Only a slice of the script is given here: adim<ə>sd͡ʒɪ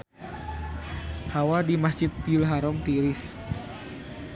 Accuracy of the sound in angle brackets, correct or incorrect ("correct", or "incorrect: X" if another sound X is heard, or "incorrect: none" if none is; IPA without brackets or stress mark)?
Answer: incorrect: a